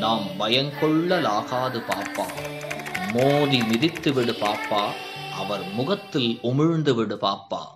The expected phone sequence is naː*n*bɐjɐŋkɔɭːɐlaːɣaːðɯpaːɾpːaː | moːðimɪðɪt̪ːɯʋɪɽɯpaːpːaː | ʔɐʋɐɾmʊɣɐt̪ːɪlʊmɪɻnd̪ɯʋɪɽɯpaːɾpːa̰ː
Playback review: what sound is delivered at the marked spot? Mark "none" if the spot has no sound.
m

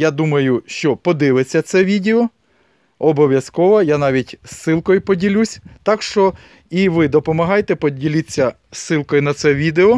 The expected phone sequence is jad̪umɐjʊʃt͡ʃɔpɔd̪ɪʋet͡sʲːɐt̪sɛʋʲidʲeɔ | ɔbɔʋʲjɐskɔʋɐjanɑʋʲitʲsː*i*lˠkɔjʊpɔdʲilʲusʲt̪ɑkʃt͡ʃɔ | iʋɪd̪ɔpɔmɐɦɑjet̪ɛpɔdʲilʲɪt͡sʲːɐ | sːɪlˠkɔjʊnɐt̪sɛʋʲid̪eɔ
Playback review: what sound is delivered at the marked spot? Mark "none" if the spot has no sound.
ɪ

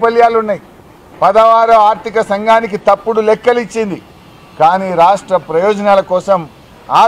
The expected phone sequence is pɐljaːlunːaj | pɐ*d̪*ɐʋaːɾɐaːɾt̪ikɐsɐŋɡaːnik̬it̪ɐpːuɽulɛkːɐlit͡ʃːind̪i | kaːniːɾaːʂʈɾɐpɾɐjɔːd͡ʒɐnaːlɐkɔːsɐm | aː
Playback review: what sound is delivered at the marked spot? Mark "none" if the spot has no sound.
d̪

